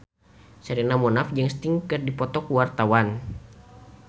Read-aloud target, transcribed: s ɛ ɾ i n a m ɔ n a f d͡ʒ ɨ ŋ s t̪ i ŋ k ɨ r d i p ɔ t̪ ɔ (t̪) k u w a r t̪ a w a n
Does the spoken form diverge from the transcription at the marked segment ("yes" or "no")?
yes